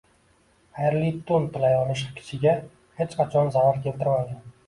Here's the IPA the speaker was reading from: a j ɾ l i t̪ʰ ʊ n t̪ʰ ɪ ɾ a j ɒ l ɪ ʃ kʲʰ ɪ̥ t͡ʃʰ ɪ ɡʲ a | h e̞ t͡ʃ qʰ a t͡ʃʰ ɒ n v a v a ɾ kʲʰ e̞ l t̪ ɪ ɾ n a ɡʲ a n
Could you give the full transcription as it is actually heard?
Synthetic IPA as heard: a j ɾ l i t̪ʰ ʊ n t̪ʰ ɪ l a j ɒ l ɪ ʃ kʲʰ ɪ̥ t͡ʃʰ ɪ ɡʲ a | h e̞ t͡ʃ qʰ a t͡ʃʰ ɒ n z a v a ɾ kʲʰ e̞ l t̪ ɪ ɾ m a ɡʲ a n